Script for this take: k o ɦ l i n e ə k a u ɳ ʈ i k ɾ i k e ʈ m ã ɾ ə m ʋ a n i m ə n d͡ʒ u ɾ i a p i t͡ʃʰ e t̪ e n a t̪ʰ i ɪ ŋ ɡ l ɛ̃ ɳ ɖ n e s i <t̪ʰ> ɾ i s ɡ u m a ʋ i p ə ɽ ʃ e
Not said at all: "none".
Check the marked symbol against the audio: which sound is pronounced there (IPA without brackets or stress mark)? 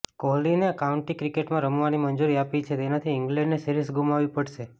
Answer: none